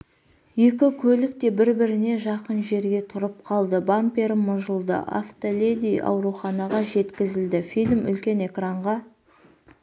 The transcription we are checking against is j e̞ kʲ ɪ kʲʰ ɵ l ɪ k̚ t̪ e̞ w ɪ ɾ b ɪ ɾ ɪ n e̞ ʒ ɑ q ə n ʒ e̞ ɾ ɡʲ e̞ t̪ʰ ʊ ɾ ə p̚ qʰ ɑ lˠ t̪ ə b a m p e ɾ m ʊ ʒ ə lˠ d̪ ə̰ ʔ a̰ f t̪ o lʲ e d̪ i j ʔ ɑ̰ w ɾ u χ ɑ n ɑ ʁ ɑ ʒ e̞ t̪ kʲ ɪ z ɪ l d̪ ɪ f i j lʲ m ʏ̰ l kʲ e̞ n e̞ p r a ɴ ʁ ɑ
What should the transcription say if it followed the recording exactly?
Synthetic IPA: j e̞ kʲ ɪ kʲʰ ɵ l ɪ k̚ t̪ e̞ b ɪ ɾ b ɪ ɾ ɪ n e̞ ʒ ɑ q ə n ʒ e̞ ɾ ɡʲ e̞ t̪ʰ ʊ ɾ ə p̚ qʰ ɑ lˠ d̪ ə b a m p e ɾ m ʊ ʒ ə lˠ d̪ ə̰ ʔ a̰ f t̪ o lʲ e d̪ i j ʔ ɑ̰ w ɾ u χ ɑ n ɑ ʁ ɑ ʒ e̞ t̪ kʲ ɪ z ɪ l d̪ ɪ f i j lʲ m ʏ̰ l kʲ e̞ n e̞ k r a ɴ ʁ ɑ